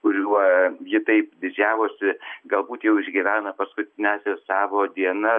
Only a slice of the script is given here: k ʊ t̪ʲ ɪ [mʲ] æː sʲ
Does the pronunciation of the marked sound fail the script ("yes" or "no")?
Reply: yes